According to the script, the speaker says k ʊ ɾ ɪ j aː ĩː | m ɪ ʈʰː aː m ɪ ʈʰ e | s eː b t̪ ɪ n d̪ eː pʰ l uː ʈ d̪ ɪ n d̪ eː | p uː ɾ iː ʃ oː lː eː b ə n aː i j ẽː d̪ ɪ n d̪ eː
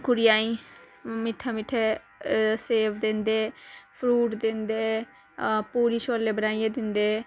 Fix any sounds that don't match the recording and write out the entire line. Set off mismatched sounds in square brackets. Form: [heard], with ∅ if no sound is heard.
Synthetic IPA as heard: k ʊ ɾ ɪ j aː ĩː | m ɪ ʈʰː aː m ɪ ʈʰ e | s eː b [d̪] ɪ n d̪ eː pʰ [ɾ] uː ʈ d̪ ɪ n d̪ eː | p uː ɾ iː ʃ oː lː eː b ə n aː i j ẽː d̪ ɪ n d̪ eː